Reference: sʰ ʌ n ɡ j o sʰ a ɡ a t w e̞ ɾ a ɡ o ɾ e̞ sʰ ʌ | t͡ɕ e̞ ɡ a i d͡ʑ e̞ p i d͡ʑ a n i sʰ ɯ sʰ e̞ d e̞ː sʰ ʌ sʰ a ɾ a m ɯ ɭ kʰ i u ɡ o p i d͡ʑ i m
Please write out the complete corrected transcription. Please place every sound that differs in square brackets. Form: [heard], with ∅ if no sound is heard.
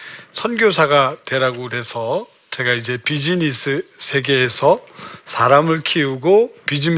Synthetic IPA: sʰ ʌ n ɡ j o sʰ a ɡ a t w e̞ ɾ a ɡ o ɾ e̞ sʰ ʌ | t͡ɕ e̞ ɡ a i d͡ʑ e̞ p i d͡ʑ [i] n i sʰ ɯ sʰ e̞ [ɡ] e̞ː sʰ ʌ sʰ a ɾ a m ɯ ɭ kʰ i u ɡ o p i d͡ʑ i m